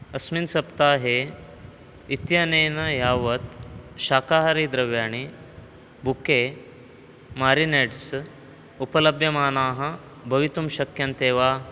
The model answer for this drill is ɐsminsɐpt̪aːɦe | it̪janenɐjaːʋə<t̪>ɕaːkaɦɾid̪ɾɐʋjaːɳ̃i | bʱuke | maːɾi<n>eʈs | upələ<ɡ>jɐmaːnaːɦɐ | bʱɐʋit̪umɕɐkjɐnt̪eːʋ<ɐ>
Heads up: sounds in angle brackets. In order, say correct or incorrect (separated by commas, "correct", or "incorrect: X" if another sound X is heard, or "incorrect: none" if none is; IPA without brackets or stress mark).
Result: correct, correct, incorrect: b, incorrect: a